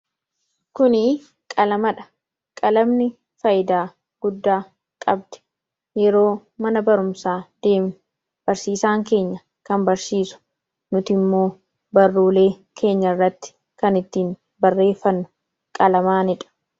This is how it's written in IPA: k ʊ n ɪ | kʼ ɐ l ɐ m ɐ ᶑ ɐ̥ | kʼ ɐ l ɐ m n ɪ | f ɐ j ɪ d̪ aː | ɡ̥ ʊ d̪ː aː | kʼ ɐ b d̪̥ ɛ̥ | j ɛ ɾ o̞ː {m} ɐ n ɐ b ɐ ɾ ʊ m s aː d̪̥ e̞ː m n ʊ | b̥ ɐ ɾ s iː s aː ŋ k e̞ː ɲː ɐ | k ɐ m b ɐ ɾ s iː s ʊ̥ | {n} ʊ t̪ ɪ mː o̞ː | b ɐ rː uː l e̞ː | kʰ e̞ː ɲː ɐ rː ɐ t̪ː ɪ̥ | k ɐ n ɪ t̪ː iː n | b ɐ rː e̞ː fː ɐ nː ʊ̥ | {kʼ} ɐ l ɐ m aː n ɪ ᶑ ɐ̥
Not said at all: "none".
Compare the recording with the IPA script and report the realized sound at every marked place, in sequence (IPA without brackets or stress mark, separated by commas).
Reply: m, n, kʼ